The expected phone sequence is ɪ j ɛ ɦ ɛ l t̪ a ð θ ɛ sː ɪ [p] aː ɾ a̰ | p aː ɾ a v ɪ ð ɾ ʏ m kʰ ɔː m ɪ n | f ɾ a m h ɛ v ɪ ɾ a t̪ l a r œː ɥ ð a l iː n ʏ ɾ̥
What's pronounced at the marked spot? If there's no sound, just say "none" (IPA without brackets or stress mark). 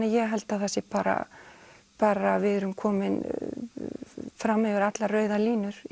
p